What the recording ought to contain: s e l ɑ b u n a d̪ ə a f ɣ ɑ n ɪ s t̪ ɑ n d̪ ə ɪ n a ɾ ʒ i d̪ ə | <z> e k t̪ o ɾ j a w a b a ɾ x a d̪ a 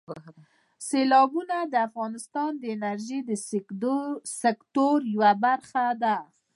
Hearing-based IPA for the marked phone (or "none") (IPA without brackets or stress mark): s